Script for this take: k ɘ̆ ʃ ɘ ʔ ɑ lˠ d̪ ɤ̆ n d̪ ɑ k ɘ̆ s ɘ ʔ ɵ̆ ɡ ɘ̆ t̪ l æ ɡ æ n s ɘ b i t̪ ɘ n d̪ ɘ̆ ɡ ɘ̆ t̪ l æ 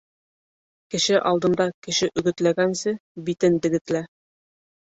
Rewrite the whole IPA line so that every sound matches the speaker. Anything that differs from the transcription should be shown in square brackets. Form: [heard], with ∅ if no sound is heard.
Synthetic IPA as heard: k ɘ̆ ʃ ɘ ʔ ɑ lˠ d̪ ɤ̆ n d̪ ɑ k ɘ̆ [ʃ] ɘ ʔ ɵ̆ ɡ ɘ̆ t̪ l æ ɡ æ n s ɘ b i t̪ ɘ n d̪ ɘ̆ ɡ ɘ̆ t̪ l æ